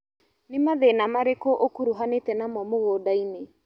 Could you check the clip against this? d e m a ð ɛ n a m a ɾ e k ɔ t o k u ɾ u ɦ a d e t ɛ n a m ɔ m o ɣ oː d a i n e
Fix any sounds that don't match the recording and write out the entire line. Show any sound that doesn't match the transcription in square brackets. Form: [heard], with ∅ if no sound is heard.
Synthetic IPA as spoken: [n] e m a ð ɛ n a m a ɾ e k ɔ [ʔ] o k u ɾ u ɦ a [n] e t ɛ n a m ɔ m o ɣ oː d a i n e